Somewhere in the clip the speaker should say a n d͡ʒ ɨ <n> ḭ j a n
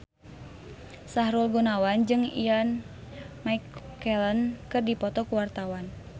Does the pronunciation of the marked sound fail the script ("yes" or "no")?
yes